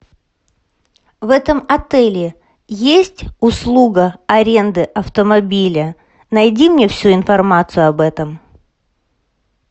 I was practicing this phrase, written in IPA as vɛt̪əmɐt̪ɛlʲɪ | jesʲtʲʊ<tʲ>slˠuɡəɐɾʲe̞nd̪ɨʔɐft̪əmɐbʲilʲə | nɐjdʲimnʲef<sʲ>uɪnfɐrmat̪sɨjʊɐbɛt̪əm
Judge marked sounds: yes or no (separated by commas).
no, yes